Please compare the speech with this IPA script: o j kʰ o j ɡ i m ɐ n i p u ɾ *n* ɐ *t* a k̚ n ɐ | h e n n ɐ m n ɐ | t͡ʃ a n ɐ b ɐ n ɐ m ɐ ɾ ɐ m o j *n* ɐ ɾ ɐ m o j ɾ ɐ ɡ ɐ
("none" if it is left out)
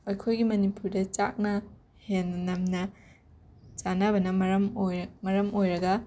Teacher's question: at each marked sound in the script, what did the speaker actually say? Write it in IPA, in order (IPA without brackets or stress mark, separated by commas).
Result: d, t͡ʃ, m